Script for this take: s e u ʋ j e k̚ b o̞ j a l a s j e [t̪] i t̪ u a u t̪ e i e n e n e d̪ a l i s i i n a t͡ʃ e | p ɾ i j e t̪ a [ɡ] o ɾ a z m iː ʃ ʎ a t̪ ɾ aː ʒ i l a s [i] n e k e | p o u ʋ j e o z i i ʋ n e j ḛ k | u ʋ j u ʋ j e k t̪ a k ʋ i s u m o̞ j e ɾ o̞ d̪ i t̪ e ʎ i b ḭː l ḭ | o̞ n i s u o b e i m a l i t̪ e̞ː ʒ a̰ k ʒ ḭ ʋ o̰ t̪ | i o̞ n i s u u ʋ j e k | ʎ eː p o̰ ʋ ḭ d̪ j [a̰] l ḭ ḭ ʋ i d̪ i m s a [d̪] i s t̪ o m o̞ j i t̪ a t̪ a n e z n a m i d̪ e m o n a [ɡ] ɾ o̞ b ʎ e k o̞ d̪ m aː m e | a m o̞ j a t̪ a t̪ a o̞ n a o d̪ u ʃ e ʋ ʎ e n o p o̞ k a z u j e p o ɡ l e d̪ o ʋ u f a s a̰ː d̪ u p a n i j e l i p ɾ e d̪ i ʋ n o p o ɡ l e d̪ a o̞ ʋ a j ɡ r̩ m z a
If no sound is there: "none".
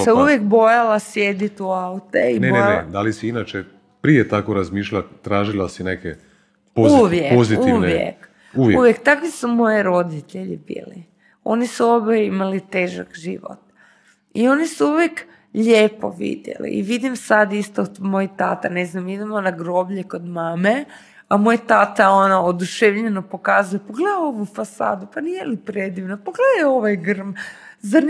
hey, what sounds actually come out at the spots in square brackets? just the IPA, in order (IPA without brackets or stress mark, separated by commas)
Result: d̪, k, i, ḛ, d̪, ɡ